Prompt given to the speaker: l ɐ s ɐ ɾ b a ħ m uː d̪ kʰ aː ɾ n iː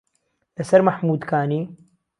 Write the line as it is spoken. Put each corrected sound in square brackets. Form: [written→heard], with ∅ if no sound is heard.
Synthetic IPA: l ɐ s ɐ ɾ [b→m] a ħ m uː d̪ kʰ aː [ɾ→∅] n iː